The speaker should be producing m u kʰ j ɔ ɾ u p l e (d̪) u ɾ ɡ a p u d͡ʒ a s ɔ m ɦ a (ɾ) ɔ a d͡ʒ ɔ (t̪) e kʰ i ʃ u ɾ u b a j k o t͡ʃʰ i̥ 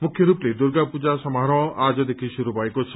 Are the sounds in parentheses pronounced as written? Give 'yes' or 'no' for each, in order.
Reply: yes, yes, no

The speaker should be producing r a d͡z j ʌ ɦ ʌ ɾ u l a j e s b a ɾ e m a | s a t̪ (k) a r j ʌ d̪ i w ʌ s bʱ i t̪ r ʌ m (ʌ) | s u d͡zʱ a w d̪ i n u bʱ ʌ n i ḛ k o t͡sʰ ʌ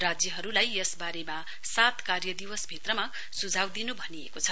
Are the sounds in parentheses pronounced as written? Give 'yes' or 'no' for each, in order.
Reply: yes, no

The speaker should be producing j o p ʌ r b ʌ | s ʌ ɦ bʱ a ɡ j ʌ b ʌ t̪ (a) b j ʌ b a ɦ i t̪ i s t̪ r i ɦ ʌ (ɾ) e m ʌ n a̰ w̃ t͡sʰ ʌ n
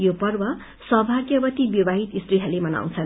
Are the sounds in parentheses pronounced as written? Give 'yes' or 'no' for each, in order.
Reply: no, no

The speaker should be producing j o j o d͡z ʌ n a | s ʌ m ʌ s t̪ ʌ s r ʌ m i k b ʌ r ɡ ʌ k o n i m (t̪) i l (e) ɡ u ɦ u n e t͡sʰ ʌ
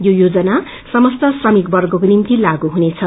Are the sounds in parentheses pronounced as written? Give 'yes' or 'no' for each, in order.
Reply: yes, no

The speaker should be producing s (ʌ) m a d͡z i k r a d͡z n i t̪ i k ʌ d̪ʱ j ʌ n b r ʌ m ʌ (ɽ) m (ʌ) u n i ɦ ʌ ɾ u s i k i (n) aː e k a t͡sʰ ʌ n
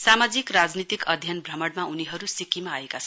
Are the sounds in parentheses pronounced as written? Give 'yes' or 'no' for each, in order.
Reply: no, yes, no, no

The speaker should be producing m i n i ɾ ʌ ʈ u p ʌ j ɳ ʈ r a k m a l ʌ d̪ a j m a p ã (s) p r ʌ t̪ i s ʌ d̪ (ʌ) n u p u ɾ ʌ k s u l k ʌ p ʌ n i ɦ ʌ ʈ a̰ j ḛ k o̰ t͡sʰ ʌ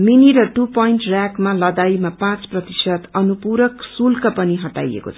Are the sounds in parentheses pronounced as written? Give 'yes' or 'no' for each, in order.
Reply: no, yes

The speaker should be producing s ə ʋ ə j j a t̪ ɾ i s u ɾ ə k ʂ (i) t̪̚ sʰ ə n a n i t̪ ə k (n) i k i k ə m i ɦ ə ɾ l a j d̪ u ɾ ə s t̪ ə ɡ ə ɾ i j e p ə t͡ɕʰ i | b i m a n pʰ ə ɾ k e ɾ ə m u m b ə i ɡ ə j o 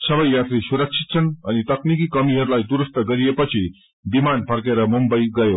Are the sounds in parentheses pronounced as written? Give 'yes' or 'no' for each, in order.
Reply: yes, yes

